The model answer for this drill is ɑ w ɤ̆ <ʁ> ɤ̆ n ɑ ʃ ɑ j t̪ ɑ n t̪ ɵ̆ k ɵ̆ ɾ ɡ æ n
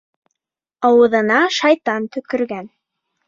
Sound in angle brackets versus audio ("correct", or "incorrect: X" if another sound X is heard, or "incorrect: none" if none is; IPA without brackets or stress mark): incorrect: ð